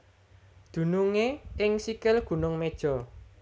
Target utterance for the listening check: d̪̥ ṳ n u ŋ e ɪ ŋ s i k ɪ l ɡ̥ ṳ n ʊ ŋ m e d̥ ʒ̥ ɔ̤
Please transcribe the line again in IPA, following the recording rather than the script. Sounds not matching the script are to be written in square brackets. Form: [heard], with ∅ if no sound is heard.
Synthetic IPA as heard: d̪̥ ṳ n u ŋ e ɪ ŋ s i k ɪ l ɡ̥ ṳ n ʊ ŋ m e d̥ ʒ̥ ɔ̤

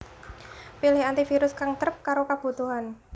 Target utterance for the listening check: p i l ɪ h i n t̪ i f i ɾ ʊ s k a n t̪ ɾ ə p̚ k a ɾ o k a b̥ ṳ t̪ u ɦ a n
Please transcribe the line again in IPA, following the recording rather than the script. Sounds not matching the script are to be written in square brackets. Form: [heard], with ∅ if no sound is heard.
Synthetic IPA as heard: p i l ɪ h [a] n t̪ i f i ɾ ʊ s k a [ŋ] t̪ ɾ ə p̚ k a ɾ o k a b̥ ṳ t̪ u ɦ a n

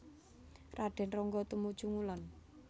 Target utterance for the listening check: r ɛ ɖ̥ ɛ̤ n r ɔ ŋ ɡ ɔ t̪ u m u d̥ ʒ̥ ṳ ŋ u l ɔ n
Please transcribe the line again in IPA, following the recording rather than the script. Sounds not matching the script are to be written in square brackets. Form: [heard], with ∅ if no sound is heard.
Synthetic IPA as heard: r [a] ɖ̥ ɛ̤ n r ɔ ŋ ɡ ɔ t̪ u m u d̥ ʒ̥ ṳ ŋ u l ɔ n

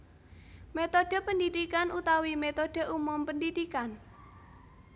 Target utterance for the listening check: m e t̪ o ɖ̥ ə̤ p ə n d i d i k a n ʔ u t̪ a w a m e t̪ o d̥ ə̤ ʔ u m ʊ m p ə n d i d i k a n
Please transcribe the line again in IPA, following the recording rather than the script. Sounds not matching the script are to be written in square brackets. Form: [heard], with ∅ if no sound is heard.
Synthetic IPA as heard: m e t̪ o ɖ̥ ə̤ p ə n d i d i k a n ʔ u t̪ a w [i] m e t̪ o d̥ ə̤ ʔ u m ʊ m p ə n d i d i k a n

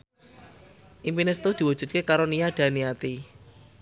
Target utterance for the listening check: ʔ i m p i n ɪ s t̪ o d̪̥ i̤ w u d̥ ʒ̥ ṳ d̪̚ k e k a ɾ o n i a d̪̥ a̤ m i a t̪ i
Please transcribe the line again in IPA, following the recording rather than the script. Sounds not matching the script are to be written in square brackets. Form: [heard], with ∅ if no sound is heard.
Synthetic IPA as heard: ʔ i m p i n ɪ s t̪ o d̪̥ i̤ w u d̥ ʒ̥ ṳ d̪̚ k e k a ɾ o n i a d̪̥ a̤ [n] i a t̪ i

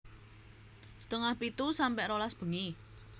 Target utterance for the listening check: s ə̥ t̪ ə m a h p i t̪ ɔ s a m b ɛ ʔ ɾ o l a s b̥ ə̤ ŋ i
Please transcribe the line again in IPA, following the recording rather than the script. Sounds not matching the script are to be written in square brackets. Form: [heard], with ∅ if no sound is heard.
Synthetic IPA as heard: s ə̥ t̪ ə [ŋ] a h p i t̪ [u] s a m [p] ɛ ʔ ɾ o l a s b̥ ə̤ ŋ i

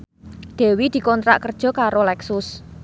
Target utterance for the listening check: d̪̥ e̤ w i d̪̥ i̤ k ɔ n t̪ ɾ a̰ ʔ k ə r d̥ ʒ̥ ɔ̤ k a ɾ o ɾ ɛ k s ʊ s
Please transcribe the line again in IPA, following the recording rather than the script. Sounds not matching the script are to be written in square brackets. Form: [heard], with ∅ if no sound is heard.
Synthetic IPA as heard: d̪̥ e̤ w i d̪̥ i̤ k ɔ n t̪ ɾ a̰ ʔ k ə r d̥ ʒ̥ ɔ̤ k a ɾ o [l] ɛ k s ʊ s

